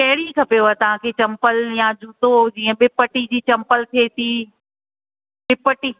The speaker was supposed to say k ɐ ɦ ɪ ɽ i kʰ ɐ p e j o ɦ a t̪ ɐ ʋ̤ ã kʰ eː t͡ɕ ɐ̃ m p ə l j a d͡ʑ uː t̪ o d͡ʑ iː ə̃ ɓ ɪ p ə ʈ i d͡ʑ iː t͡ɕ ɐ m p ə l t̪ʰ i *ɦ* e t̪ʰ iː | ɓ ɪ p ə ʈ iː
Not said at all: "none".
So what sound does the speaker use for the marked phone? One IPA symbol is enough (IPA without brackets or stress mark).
none